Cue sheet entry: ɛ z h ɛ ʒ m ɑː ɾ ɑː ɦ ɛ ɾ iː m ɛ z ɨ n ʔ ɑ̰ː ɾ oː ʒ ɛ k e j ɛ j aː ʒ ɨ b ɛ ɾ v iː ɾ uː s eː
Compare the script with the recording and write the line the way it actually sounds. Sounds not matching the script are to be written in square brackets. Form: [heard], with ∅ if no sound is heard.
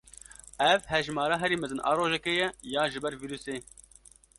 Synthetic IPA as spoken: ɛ [v] h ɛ ʒ m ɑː ɾ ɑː ɦ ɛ ɾ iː m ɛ z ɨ n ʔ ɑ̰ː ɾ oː ʒ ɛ k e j ɛ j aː ʒ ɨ b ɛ ɾ v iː ɾ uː s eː